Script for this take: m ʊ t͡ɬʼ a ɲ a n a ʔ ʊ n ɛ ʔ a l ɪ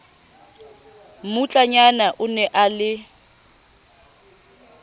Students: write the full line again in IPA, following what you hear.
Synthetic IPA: m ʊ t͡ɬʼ a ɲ a n a ʔ ʊ n ɛ ʔ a l ɪ